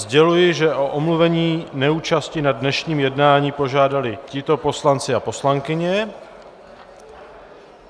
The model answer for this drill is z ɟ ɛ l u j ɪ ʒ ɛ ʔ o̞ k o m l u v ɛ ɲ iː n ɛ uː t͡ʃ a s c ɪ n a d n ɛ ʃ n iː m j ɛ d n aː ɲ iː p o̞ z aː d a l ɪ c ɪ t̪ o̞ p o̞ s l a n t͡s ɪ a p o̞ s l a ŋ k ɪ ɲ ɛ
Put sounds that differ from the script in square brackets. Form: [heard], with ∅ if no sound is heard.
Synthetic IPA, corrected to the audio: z ɟ ɛ l u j ɪ ʒ ɛ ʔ o̞ [ʔ] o m l u v ɛ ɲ iː n ɛ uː t͡ʃ a s c ɪ n a d n ɛ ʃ [ɲ] iː m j ɛ d n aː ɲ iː p o̞ [ʒ] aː d a l ɪ c ɪ t̪ o̞ p o̞ s l a n t͡s ɪ a p o̞ s l a ŋ k ɪ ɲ ɛ

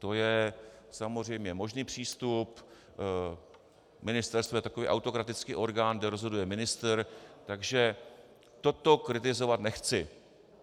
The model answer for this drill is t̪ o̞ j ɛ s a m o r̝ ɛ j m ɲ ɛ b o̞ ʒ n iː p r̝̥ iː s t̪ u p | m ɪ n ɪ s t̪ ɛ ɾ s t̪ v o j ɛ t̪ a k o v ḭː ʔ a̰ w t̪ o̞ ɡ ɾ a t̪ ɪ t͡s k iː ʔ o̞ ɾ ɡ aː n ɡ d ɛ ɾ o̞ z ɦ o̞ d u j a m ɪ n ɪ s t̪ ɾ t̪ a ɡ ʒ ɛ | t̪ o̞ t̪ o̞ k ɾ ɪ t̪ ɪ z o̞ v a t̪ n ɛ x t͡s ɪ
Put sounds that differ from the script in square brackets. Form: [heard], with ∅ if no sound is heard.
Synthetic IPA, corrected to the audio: t̪ o̞ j ɛ s a m o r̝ ɛ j m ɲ ɛ [m] o̞ ʒ n iː p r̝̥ iː s t̪ u p | m ɪ n ɪ s t̪ ɛ ɾ s t̪ v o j ɛ t̪ a k o v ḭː ʔ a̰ w t̪ o̞ [k] ɾ a t̪ ɪ t͡s k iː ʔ o̞ ɾ ɡ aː n ɡ d ɛ ɾ o̞ z ɦ o̞ d u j [ɛ] m ɪ n ɪ s t̪ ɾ t̪ a ɡ ʒ ɛ | t̪ o̞ t̪ o̞ k ɾ ɪ t̪ ɪ z o̞ v a t̪ n ɛ x t͡s ɪ

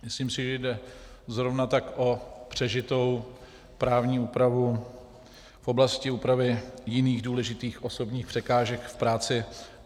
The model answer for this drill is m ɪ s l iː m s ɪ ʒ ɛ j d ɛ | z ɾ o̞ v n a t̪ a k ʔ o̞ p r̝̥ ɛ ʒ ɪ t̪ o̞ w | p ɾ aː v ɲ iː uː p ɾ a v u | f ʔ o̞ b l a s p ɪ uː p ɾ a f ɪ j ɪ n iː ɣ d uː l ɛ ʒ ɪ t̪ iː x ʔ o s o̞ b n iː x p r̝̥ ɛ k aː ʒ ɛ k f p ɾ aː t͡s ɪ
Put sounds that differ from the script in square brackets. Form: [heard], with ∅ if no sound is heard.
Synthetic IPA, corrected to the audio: m ɪ s l iː m s ɪ ʒ ɛ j d ɛ | z ɾ o̞ v n a t̪ a k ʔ o̞ p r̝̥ ɛ ʒ ɪ t̪ o̞ w | p ɾ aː v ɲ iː uː p ɾ a v u | f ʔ o̞ b l a s [c] ɪ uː p ɾ a [v] ɪ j ɪ n iː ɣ d uː l ɛ ʒ ɪ t̪ iː x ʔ o s o̞ b [ɲ] iː x p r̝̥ ɛ k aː ʒ ɛ k f p ɾ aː t͡s ɪ

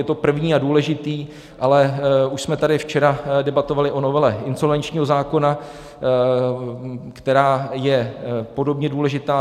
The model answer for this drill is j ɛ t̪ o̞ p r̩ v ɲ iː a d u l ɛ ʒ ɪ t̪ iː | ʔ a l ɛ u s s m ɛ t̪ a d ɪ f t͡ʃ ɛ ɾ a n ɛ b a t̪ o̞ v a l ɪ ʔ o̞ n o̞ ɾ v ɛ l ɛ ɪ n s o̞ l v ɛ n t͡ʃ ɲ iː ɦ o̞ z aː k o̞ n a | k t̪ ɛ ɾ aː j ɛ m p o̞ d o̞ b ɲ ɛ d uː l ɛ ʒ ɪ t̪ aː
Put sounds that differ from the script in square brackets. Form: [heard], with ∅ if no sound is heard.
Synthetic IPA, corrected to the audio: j ɛ t̪ o̞ p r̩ v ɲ iː a d [uː] l ɛ ʒ ɪ t̪ iː | ʔ a l ɛ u [ʃ] s m ɛ t̪ a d ɪ f t͡ʃ ɛ ɾ a [d] ɛ b a t̪ o̞ v a l ɪ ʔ o̞ n o̞ [∅] v ɛ l ɛ ɪ n s o̞ l v ɛ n t͡ʃ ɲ iː ɦ o̞ z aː k o̞ n a | k t̪ ɛ ɾ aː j ɛ [∅] p o̞ d o̞ b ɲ ɛ d uː l ɛ ʒ ɪ t̪ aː

